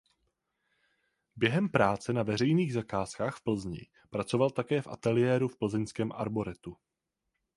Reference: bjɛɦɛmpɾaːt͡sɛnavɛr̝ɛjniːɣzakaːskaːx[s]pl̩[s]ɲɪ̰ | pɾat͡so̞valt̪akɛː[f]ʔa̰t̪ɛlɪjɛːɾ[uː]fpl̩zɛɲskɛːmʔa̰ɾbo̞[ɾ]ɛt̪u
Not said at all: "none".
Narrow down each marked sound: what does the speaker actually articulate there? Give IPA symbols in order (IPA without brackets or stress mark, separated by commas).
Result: f, z, f, u, ɾ